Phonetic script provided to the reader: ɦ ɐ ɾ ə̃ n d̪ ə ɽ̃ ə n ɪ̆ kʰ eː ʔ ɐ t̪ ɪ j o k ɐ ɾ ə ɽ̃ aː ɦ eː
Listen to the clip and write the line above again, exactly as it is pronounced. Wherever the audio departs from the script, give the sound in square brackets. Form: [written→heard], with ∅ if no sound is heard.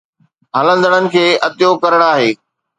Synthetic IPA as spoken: ɦ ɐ [ɾ→l] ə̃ n d̪ ə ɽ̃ ə n ɪ̆ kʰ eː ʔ ɐ t̪ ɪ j o k ɐ ɾ ə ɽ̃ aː ɦ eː